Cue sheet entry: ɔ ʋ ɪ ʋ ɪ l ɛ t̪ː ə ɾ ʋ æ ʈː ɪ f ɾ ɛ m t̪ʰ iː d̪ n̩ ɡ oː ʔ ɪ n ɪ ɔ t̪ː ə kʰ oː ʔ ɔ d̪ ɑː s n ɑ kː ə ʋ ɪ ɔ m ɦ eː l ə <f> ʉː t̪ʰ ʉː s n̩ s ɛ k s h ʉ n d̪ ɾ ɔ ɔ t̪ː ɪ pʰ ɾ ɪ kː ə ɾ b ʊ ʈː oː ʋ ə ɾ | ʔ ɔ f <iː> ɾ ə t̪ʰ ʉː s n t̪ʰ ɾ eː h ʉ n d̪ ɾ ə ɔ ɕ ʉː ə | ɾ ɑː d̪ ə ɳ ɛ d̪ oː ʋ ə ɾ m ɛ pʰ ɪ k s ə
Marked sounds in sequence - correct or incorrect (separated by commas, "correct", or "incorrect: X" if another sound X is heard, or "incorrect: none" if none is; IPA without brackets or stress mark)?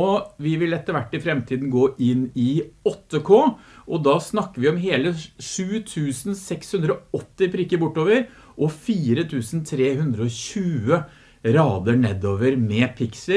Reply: incorrect: ʂ, correct